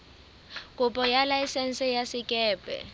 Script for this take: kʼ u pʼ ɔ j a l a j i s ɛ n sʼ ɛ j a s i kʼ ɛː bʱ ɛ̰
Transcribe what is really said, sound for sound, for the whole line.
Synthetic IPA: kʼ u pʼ ɔ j a l a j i s ɛ n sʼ ɛ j a s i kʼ ɛː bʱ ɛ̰